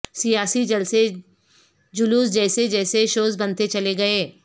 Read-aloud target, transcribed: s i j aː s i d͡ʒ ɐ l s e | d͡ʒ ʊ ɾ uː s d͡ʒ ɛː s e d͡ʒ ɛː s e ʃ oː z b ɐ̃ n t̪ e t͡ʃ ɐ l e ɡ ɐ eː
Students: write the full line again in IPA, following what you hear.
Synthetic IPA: s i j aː s i d͡ʒ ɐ l s e | d͡ʒ ʊ l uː s d͡ʒ ɛː s e d͡ʒ ɛː s e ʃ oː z b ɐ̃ n t̪ e t͡ʃ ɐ l e ɡ ɐ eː